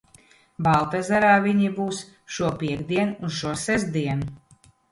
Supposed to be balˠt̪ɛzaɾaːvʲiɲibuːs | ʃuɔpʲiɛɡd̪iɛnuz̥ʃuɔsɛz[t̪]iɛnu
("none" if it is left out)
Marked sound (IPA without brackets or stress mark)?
d̪